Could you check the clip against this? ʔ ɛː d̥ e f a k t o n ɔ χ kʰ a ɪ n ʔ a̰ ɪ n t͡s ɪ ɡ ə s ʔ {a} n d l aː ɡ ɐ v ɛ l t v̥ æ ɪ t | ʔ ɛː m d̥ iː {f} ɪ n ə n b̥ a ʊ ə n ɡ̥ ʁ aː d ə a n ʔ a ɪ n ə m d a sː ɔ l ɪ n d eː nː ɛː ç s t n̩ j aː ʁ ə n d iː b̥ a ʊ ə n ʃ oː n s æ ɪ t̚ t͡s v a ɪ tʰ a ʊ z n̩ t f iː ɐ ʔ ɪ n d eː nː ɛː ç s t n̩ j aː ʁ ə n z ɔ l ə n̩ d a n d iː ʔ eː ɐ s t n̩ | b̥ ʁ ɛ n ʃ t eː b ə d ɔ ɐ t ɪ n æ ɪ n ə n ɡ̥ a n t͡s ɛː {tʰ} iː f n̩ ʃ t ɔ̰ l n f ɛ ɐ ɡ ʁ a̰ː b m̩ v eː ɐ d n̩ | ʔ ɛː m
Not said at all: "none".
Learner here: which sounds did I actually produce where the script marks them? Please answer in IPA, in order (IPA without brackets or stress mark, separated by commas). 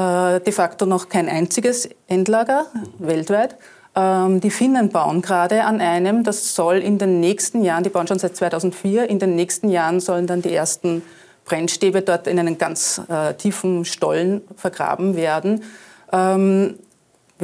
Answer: ɛ, f, tʰ